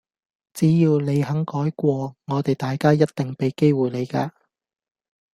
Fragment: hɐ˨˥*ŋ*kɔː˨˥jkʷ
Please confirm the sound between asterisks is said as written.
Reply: yes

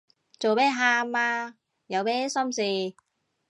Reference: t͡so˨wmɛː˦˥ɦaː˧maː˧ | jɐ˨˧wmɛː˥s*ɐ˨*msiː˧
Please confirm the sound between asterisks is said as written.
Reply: no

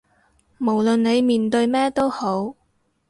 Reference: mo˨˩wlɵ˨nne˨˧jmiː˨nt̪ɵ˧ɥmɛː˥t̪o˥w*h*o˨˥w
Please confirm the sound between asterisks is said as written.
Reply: yes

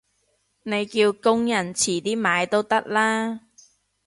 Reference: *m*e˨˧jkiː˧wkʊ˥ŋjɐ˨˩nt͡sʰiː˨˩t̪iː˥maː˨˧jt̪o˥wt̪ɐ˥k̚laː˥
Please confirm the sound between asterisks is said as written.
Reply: no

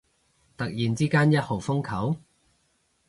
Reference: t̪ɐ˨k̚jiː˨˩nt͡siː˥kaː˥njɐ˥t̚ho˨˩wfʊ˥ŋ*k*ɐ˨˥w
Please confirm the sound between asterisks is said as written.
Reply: no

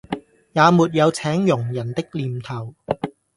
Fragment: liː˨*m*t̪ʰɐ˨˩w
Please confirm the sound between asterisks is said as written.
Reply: yes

